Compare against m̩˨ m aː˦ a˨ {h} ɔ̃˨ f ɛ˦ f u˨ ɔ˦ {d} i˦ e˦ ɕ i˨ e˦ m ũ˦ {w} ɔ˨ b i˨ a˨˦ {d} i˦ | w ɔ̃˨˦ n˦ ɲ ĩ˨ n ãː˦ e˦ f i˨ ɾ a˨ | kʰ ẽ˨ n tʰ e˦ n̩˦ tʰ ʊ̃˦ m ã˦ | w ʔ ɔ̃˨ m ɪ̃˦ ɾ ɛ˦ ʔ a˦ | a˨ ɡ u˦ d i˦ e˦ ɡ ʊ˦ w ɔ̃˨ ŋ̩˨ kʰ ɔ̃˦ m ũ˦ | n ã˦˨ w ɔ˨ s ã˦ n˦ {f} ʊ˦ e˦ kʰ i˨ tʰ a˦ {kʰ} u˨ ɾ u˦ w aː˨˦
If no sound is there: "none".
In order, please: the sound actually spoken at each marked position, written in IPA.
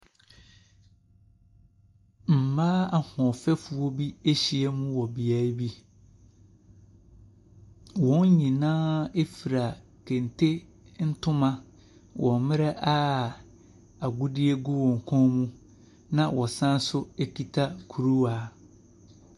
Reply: h, b, w, b, s, kʰ

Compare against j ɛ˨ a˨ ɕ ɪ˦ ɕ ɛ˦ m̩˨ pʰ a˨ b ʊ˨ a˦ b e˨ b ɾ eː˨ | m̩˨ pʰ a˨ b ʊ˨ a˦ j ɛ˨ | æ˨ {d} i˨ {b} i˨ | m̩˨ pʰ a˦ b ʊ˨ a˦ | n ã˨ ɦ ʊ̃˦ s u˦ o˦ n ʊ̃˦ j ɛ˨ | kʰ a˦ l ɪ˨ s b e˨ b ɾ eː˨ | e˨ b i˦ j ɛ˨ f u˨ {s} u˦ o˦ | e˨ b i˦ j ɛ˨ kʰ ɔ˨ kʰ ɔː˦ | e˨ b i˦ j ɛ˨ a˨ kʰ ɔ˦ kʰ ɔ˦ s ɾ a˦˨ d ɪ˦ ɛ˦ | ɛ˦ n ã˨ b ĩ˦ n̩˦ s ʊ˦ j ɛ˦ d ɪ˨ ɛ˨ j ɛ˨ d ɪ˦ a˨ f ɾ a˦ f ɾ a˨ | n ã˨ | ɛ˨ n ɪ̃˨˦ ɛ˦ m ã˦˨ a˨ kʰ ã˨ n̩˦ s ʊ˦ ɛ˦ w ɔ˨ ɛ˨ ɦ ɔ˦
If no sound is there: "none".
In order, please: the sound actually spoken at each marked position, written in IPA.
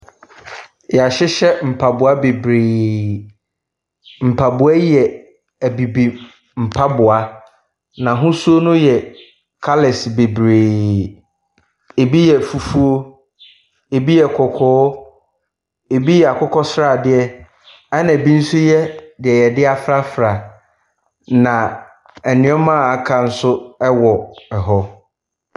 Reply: b, b, f

